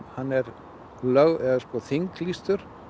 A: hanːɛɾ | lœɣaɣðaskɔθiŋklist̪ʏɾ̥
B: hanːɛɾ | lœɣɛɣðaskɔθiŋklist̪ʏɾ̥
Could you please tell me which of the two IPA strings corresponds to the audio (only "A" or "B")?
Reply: B